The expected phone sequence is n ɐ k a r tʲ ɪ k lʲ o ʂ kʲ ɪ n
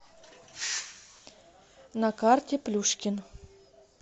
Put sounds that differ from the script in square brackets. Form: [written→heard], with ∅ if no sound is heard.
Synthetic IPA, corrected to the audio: n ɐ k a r tʲ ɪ [k→p] lʲ [o→u] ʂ kʲ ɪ n

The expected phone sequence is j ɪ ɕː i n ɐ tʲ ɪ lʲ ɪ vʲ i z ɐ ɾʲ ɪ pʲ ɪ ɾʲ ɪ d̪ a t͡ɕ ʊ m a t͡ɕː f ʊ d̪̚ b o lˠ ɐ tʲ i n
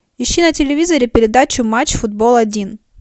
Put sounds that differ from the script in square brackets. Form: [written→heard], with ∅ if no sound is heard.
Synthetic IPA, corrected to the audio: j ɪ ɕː i n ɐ tʲ ɪ lʲ ɪ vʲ i z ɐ ɾʲ ɪ pʲ ɪ ɾʲ ɪ d̪ a t͡ɕ ʊ m a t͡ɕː f ʊ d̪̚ b o lˠ ɐ [tʲ→dʲ] i n

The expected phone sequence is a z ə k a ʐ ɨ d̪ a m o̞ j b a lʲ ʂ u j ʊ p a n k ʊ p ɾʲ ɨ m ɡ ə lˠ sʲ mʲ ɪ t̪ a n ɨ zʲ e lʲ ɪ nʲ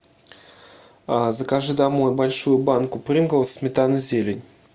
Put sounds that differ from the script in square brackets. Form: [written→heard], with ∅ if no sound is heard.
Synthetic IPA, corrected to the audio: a z ə k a ʐ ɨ d̪ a m o̞ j b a lʲ ʂ u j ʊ [p→b] a n k ʊ p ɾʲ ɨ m ɡ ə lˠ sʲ mʲ ɪ t̪ a n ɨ zʲ e lʲ ɪ nʲ

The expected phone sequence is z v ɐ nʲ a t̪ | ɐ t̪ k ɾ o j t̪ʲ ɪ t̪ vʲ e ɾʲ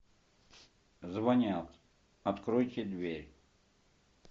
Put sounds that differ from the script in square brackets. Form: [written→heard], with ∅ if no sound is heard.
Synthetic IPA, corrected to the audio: z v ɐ nʲ a t̪ | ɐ t̪ k ɾ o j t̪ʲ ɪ [t̪→d̪] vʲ e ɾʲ

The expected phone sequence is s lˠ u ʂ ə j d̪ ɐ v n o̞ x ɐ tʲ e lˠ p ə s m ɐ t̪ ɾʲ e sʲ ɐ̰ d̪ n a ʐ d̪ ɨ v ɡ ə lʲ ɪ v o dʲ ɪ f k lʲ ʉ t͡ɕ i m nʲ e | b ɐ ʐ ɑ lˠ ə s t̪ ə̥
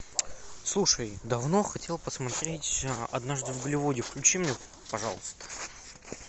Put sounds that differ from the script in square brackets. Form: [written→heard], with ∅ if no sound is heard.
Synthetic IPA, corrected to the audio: s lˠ u ʂ ə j d̪ ɐ v n o̞ x ɐ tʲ e lˠ p ə s m ɐ t̪ ɾʲ e [sʲ→tʲ] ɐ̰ d̪ n a ʐ d̪ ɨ v ɡ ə lʲ ɪ v o dʲ ɪ f k lʲ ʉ t͡ɕ i m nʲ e | [b→p] ɐ ʐ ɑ lˠ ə s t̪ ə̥

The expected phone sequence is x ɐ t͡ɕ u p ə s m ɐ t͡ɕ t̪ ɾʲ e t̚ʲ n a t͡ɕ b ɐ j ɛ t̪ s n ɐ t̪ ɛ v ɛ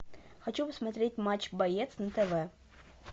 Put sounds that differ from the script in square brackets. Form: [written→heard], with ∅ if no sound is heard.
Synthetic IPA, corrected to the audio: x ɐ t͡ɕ u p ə s m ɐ [t͡ɕ→∅] t̪ ɾʲ e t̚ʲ [n→m] a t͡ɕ b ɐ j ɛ t̪ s n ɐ t̪ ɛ v ɛ

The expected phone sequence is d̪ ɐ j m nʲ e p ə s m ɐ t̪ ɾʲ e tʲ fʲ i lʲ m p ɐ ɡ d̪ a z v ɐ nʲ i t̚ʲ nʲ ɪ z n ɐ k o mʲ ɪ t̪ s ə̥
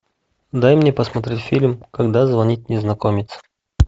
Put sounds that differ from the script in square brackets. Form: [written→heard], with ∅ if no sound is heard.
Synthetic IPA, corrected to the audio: d̪ [ɐ→a] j m nʲ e p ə s m ɐ t̪ ɾʲ e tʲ fʲ i lʲ m [p→k] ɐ ɡ d̪ a z v ɐ nʲ i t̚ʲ nʲ ɪ z n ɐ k o mʲ ɪ t̪ s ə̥

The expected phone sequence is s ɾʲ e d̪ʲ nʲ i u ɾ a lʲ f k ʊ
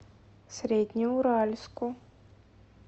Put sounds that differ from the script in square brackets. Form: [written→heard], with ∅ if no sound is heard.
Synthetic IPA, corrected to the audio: s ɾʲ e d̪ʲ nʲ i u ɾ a lʲ [f→s] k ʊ

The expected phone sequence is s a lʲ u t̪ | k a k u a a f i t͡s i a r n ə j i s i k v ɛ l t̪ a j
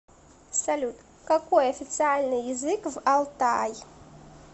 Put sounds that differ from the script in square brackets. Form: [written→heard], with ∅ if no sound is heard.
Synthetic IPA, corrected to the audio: s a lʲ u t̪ | k a k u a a f i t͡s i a [r→l] n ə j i [s→z] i k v [ɛ→a] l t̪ a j

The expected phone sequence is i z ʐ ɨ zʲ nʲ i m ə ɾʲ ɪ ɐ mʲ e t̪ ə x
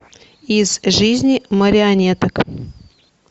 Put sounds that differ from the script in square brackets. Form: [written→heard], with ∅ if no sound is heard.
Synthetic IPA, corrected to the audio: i z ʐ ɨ zʲ nʲ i m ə ɾʲ ɪ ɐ [mʲ→nʲ] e t̪ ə [x→k]

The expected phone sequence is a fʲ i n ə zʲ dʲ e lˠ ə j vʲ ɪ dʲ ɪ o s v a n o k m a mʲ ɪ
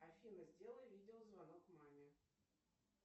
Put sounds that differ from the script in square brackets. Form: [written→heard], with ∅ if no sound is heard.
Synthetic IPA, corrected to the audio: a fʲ i n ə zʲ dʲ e lˠ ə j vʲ [ɪ→i] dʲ ɪ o [s→z] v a n o k m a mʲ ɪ

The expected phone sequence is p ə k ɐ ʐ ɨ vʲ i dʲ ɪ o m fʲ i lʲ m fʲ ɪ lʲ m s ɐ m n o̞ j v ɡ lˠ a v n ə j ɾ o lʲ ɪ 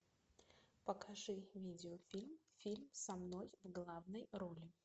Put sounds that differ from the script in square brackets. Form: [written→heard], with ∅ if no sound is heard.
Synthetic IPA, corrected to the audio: p ə k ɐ ʐ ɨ vʲ i dʲ ɪ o [m→∅] fʲ i lʲ m fʲ [ɪ→i] lʲ m s ɐ m n o̞ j v ɡ lˠ a v n ə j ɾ o lʲ ɪ

